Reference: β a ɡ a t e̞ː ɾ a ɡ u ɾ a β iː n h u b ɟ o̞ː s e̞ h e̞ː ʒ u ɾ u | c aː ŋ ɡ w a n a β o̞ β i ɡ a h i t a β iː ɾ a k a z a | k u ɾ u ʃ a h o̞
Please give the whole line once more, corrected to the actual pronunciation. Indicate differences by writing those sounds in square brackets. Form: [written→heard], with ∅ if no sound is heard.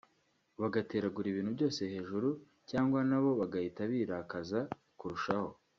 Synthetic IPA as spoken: β a ɡ a t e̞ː ɾ a ɡ u ɾ [a→i] β iː n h u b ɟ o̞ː s e̞ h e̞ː ʒ u ɾ u | c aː ŋ ɡ w a n a β o̞ β [i→a] ɡ a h i t a β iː ɾ a k a z a | k u ɾ u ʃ a h o̞